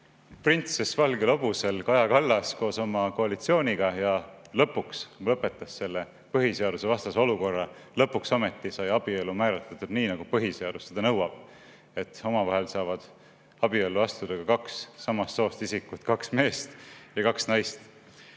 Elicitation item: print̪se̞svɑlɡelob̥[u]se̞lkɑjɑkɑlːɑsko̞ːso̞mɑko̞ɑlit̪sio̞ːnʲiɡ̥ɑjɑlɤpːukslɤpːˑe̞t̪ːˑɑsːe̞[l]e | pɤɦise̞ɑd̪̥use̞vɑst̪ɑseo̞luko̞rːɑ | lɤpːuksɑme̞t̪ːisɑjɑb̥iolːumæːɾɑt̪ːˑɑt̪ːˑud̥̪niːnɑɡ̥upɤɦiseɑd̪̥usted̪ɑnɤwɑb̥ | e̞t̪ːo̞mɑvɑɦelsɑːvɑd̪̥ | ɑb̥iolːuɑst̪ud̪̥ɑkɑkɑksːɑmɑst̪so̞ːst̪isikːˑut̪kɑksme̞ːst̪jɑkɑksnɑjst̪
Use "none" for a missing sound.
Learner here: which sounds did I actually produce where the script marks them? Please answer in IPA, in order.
u, lː

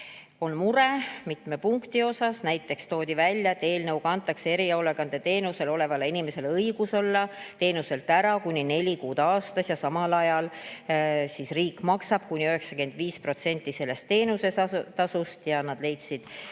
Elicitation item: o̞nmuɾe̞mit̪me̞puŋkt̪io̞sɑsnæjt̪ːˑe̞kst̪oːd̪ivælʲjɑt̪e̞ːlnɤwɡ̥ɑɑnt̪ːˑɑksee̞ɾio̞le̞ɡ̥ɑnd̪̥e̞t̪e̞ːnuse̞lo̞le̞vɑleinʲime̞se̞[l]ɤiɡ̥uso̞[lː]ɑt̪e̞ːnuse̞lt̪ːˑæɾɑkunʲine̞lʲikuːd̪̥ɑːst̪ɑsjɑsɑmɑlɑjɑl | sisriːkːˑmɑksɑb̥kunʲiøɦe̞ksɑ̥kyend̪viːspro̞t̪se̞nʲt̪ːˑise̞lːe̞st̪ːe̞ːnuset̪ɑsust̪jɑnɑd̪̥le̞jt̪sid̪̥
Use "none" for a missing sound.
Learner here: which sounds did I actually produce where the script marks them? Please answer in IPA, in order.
l, lː

